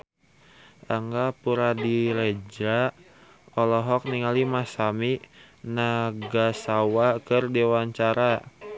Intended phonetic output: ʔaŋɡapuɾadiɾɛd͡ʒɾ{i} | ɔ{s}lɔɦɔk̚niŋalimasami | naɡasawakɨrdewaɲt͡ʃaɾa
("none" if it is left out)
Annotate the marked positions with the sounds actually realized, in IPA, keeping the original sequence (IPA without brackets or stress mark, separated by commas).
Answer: a, none